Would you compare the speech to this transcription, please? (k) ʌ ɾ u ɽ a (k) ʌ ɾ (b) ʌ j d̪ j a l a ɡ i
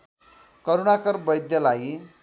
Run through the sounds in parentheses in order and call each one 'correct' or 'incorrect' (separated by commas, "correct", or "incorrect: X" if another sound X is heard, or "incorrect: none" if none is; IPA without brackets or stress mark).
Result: correct, correct, correct